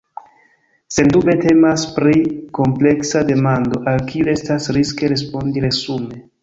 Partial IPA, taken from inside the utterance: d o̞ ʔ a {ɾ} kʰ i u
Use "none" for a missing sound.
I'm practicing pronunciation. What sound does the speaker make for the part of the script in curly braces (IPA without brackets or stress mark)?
l